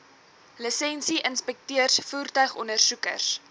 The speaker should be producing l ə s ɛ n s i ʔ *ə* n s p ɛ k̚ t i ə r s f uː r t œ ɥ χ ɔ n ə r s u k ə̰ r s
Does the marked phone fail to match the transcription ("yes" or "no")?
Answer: no